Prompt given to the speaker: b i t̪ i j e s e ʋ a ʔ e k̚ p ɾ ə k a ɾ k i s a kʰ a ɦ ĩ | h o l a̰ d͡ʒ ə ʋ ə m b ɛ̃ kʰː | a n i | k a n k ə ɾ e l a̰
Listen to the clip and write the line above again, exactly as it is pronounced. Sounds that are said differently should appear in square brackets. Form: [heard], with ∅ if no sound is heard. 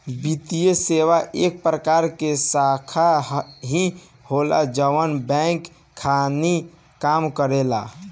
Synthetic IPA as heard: b i t̪ i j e s e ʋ a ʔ e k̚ p ɾ ə k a ɾ k [e] s a kʰ a ɦ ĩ | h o l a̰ d͡ʒ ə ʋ ə [n] b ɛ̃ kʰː | a n i | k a [m] k ə ɾ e l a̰

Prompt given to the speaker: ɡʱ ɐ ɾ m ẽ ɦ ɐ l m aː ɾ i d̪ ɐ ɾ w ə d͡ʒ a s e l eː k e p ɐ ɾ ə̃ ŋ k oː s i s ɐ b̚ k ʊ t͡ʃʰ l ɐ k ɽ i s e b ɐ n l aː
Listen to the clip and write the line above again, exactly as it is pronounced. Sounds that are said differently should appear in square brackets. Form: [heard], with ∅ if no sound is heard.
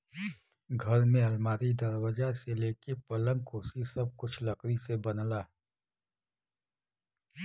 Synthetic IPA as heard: ɡʱ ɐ ɾ m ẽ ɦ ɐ l m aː ɾ i d̪ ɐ ɾ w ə d͡ʒ a s e l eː k e p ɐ [l] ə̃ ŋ k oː s i s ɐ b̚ k ʊ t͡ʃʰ l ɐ k [ɾ] i s e b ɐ n l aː

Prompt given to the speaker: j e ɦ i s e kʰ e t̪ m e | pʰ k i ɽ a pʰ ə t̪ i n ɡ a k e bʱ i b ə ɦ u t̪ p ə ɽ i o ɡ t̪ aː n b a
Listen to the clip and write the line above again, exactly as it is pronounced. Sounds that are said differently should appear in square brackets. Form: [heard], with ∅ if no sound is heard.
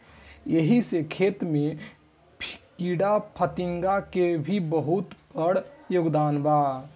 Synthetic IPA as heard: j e ɦ i s e kʰ e t̪ m e | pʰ k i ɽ a pʰ ə t̪ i [ŋ] ɡ a k e bʱ i b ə ɦ u t̪ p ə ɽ [j] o ɡ [d̪] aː n b a

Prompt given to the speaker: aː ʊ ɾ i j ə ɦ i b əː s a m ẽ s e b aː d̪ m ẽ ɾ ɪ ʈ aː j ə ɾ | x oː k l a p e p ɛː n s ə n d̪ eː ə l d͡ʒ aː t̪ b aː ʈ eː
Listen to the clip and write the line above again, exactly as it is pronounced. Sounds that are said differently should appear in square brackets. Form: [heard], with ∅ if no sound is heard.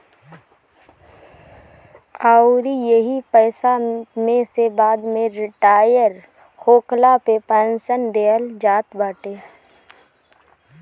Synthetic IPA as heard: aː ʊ ɾ i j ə ɦ i [p] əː s a m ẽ s e b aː d̪ m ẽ ɾ ɪ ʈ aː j ə ɾ | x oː k l a p e p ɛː n s ə n d̪ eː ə l d͡ʒ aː t̪ b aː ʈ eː

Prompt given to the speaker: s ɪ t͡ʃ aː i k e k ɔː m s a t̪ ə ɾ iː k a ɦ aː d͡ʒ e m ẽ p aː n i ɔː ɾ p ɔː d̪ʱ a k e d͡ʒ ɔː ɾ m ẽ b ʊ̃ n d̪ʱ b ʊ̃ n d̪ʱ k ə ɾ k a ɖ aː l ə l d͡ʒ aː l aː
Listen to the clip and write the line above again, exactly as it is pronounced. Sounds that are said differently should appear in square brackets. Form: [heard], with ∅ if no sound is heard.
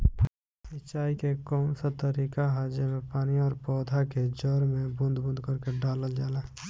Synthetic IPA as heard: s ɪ t͡ʃ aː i k e k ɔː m s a t̪ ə ɾ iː k a ɦ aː d͡ʒ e m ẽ p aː n i ɔː ɾ p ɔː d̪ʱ a k e d͡ʒ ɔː ɾ m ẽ b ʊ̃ n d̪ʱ b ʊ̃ n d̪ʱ k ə ɾ k [e] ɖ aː l ə l d͡ʒ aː l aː

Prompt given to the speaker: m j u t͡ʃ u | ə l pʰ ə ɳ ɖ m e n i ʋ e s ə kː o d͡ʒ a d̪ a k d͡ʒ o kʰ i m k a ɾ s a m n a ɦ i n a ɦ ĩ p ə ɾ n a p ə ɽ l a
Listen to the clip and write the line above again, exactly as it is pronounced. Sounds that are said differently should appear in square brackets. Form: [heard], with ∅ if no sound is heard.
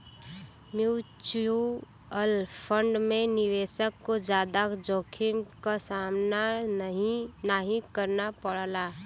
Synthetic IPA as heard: m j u t͡ʃ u | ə l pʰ ə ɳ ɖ m e n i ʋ e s ə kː o d͡ʒ a d̪ a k d͡ʒ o kʰ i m k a [∅] s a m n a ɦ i n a ɦ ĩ [k] ə ɾ n a p ə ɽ l a

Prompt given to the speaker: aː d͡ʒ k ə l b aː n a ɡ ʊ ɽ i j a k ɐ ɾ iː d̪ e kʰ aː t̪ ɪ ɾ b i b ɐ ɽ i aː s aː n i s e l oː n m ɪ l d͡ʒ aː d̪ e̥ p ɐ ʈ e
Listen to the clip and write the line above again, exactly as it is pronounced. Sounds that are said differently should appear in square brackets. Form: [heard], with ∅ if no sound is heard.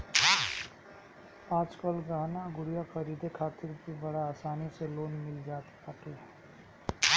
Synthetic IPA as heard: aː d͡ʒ k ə l [ɡ] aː n a ɡ ʊ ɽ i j a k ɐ ɾ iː d̪ e kʰ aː t̪ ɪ ɾ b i b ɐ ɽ [a] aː s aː n i s e l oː n m ɪ l d͡ʒ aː [t̪] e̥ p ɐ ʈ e

